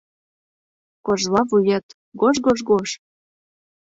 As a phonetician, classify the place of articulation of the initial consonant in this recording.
velar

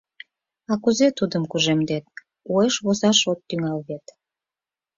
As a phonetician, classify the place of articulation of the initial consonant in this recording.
velar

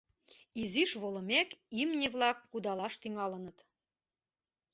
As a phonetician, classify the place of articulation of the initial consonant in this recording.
alveolar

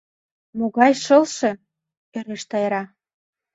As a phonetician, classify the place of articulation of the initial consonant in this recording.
labial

